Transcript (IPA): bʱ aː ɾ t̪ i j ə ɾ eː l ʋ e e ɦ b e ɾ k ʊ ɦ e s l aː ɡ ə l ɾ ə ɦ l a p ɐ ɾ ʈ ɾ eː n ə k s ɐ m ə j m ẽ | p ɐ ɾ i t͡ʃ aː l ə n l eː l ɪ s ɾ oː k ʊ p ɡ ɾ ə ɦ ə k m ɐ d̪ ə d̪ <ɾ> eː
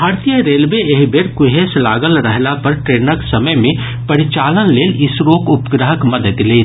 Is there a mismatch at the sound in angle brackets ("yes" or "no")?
yes